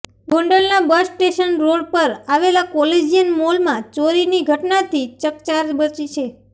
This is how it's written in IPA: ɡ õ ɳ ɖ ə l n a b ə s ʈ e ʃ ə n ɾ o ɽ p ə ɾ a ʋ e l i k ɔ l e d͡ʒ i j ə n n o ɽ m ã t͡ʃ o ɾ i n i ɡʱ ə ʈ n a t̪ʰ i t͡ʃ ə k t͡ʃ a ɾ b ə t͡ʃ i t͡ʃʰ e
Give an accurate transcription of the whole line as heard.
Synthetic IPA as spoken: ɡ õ ɳ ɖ ə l n a b ə s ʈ e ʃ ə n ɾ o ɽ p ə ɾ a ʋ e l a k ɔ l e d͡ʒ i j ə n m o l m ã t͡ʃ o ɾ i n i ɡʱ ə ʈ n a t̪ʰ i t͡ʃ ə k t͡ʃ a ɾ b ə t͡ʃ i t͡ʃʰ e

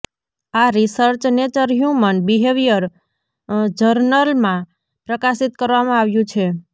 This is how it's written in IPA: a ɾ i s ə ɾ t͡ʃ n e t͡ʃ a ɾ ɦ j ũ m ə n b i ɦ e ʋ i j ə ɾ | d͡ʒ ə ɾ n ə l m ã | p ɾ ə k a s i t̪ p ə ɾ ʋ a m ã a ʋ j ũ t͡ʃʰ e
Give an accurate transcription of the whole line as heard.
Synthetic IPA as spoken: a ɾ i s ə ɾ t͡ʃ n e t͡ʃ ə ɾ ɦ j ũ m ə n b i ɦ e ʋ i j ə ɾ | d͡ʒ ə ɾ n ə l m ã | p ɾ ə k a s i t̪ k ə ɾ ʋ a m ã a ʋ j ũ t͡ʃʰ e

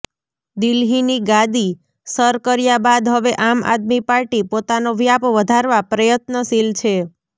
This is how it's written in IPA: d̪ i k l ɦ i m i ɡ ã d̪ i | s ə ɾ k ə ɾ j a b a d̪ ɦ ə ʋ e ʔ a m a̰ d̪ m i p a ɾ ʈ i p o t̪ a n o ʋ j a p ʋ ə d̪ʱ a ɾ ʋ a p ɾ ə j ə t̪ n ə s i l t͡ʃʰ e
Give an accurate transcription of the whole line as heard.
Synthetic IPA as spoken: d̪ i l ɦ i n i ɡ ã d̪ i | s ə ɾ k ə ɾ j a b a d̪ ɦ ə ʋ e ʔ a m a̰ d̪ m i p a ɾ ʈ i p o t̪ a n o ʋ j a p ʋ ə d̪ʱ a ɾ ʋ a p ɾ ə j ə t̪ n ə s i l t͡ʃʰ e

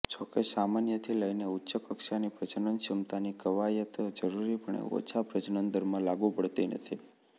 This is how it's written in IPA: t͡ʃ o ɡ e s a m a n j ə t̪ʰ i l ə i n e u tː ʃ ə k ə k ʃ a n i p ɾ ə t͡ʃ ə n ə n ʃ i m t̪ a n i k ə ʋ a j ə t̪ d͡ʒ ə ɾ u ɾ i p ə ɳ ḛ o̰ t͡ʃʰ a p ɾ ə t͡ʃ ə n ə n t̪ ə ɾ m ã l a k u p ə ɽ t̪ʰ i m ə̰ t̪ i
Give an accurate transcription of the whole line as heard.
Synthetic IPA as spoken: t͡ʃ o k e s a m a n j ə t̪ʰ i l ə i n e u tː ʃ ə k ə k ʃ a n i p ɾ ə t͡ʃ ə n ə n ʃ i m t̪ a n i k ə ʋ a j ə t̪ d͡ʒ ə ɾ u ɾ i p ə ɳ ḛ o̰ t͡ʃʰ a p ɾ ə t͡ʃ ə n ə n d̪ ə ɾ m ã l a ɡ u p ə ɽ t̪ i n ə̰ t̪ʰ i

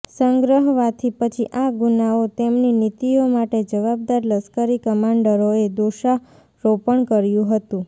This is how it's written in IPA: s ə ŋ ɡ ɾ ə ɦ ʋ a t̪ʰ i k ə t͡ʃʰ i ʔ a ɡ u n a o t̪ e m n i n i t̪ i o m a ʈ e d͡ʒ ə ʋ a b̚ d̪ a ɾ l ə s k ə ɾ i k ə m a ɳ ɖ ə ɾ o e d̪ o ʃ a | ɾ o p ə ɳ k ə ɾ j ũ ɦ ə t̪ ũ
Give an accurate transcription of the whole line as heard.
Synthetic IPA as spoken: s ə ŋ ɡ ɾ ə ɦ ʋ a t̪ʰ i p ə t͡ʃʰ i ʔ a ɡ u n a o t̪ e m n i n i t̪ i o m a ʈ e d͡ʒ ə ʋ a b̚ d̪ a ɾ l ə s k ə ɾ i k ə m a ɳ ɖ ə ɾ o e d̪ o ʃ a | ɾ o p ə ɳ k ə ɾ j ũ ɦ ə t̪ ũ

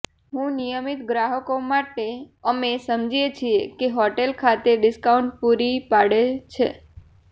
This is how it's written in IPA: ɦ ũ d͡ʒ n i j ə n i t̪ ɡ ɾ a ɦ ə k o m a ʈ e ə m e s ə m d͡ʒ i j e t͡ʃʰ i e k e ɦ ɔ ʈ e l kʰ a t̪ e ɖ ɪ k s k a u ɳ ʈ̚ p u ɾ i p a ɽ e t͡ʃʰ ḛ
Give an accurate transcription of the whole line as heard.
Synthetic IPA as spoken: ɦ ũ n i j ə m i t̪ ɡ ɾ a ɦ ə k o m a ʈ e ə m e s ə m d͡ʒ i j e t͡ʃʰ i e k e ɦ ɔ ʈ e l kʰ a t̪ e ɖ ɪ s k a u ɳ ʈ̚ p u ɾ i p a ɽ e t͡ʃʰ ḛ

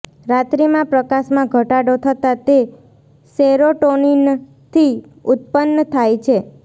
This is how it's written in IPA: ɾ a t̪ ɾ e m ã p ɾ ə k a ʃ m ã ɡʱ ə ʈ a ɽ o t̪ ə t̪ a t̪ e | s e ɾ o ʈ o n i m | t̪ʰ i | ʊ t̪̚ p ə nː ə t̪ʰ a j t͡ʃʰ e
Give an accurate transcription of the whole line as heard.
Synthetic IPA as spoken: ɾ a t̪ ɾ i m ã p ɾ ə k a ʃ m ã ɡʱ ə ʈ a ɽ o t̪ʰ ə t̪ a t̪ e | s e ɾ o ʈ o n i n | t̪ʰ i | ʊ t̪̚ p ə nː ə t̪ʰ a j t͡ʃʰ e

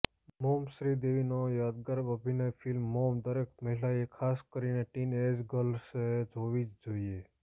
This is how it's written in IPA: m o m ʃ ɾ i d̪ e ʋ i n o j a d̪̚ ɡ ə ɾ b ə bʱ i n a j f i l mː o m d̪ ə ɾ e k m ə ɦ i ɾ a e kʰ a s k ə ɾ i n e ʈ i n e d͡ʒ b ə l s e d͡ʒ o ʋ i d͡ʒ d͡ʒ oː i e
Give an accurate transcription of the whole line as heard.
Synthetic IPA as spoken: m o m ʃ ɾ i d̪ e ʋ i n o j a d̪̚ ɡ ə ɾ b ə bʱ i n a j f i l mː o m d̪ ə ɾ e k m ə ɦ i l a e kʰ a s k ə ɾ i n e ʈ i n e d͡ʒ ɡ ə l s e d͡ʒ o ʋ i d͡ʒ d͡ʒ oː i e

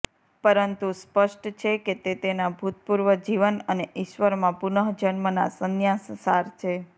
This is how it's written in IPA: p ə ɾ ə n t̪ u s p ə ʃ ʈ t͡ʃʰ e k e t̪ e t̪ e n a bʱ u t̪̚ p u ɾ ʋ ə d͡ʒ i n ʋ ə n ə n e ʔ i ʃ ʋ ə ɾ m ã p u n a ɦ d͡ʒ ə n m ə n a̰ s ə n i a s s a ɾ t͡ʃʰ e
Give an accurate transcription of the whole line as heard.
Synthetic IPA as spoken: p ə ɾ ə n t̪ u s p ə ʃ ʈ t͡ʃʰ e k e t̪ e t̪ e n a bʱ u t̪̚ p u ɾ ʋ ə d͡ʒ i ʋ ə n ə n e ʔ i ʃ ʋ ə ɾ m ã p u n ə ɦ d͡ʒ ə n m ə n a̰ s ə n j a s s a ɾ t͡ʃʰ e

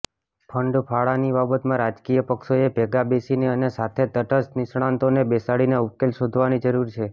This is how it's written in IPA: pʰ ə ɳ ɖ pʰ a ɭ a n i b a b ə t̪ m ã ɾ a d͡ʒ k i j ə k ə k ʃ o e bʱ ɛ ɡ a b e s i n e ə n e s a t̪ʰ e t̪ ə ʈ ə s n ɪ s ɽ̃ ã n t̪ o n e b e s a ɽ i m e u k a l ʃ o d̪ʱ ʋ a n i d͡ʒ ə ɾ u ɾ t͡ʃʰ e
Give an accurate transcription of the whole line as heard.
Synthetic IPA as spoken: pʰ ə ɳ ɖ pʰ a ɭ a n i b a b ə t̪ m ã ɾ a d͡ʒ k i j ə p ə k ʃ o e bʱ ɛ ɡ a b e s i n e ə n e s a t̪ʰ e t̪ ə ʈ ə s n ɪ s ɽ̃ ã n t̪ o n e b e s a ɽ i n e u k e l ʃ o d̪ʱ ʋ a n i d͡ʒ ə ɾ u ɾ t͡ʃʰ e

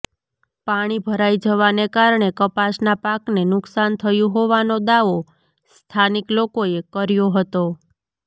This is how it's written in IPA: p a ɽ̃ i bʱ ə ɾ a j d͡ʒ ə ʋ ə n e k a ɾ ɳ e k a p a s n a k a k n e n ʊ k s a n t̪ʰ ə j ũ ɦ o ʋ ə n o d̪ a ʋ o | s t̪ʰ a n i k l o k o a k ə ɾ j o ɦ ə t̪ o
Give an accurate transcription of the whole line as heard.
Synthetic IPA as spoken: p a ɽ̃ i bʱ ə ɾ a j d͡ʒ ə ʋ a n e k a ɾ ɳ e k ə p a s n a p a k n e n ʊ k s a n t̪ʰ ə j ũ ɦ o ʋ a n o d̪ a ʋ o | s t̪ʰ a n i k l o k o e k ə ɾ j o ɦ ə t̪ o

